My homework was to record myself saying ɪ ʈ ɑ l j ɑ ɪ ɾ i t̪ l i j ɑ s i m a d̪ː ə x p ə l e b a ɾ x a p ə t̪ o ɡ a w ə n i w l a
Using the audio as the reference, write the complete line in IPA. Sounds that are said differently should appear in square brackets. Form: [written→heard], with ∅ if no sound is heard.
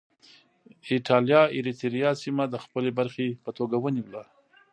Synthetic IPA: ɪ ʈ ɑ l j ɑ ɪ ɾ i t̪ [l→ɾ] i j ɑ s i m a [d̪ː→d̪] ə x p ə l e b a ɾ x [a→e] p ə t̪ o ɡ a w ə n i w l a